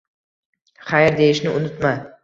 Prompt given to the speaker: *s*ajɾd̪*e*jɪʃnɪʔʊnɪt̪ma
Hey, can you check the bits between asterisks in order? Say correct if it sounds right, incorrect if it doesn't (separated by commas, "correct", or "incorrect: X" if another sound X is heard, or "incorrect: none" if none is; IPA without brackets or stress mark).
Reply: incorrect: χ, correct